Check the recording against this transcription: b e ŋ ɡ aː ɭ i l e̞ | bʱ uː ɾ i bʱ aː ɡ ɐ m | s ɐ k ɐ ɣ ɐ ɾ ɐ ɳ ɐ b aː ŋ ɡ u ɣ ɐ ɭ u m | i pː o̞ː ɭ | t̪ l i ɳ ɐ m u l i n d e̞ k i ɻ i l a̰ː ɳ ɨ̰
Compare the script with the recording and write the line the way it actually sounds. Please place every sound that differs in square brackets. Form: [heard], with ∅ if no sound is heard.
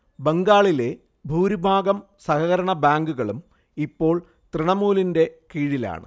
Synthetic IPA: b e ŋ ɡ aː ɭ i l e̞ | bʱ uː ɾ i bʱ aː ɡ ɐ m | s ɐ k ɐ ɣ ɐ ɾ ɐ ɳ ɐ b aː ŋ ɡ u ɣ ɐ ɭ u m | i pː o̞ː ɭ | t̪ [r] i ɳ ɐ m [uː] l i n d e̞ k [iː] ɻ i l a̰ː ɳ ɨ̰